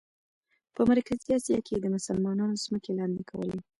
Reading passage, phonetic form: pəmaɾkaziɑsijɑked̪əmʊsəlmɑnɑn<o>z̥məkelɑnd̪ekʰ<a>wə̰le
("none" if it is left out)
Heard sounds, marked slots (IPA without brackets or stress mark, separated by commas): o, a